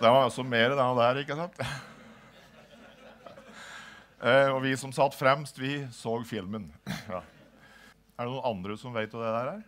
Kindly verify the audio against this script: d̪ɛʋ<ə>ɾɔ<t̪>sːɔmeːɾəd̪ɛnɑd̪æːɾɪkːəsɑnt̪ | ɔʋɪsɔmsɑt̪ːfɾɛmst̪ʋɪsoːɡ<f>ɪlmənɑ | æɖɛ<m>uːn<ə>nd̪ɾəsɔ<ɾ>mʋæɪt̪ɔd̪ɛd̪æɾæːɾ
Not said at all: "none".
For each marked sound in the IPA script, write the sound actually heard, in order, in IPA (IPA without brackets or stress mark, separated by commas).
ɑ, none, f, n, ɑ, none